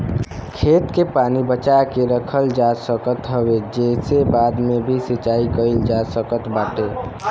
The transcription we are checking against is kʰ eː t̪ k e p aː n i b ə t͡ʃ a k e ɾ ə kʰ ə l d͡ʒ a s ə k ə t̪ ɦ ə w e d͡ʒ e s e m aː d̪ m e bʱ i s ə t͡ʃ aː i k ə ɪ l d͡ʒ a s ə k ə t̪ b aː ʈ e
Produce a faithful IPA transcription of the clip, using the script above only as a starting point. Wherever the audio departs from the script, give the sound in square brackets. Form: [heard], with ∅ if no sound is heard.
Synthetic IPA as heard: kʰ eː t̪ k e p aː n i b ə t͡ʃ a k e ɾ ə kʰ ə l d͡ʒ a s ə k ə t̪ ɦ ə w e d͡ʒ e s e [b] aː d̪ m e bʱ i s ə t͡ʃ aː i k ə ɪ l d͡ʒ a s ə k ə t̪ b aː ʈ e